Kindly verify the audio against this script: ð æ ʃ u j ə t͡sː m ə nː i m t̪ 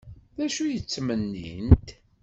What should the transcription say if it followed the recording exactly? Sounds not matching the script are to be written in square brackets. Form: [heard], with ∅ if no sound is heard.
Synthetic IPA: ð æ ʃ u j ə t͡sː m ə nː i [n] t̪